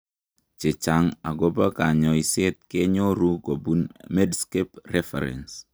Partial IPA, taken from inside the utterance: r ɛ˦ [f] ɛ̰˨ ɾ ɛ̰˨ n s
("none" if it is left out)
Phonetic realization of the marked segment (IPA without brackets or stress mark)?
f